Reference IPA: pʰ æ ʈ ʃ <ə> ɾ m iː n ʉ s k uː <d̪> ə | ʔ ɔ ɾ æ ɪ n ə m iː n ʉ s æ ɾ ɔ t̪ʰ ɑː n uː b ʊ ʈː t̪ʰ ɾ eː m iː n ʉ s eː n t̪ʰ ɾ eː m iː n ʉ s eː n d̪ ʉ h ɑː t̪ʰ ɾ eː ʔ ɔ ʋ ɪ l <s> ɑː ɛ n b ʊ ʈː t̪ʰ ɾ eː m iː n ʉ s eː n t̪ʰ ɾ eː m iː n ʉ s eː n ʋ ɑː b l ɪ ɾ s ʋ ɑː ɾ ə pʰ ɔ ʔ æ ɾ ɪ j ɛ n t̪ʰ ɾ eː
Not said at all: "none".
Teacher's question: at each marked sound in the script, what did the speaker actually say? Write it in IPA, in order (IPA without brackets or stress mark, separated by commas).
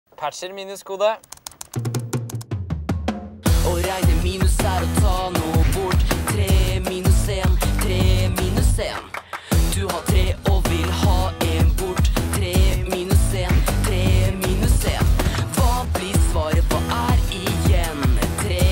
ə, d̪, h